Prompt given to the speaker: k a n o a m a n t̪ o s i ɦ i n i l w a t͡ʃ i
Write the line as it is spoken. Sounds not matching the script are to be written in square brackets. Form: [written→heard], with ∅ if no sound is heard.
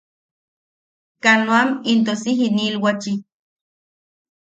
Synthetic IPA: k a n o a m [a→i] n t̪ o s i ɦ i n i l w a t͡ʃ i